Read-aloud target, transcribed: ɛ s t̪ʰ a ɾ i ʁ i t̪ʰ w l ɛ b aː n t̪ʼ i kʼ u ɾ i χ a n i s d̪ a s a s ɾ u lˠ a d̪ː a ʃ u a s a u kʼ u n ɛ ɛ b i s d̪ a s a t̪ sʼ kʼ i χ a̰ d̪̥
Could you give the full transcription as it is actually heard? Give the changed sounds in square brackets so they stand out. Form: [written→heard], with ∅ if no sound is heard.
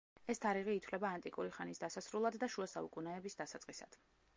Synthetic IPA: ɛ s t̪ʰ a ɾ i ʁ [i→iː] t̪ʰ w l ɛ b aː n t̪ʼ i kʼ u ɾ i χ a n i s d̪ a s a s ɾ u lˠ a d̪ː a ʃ u a s a u kʼ u n ɛ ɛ b i s d̪ a s a t̪ sʼ [kʼ→qʼ] i [χ→s] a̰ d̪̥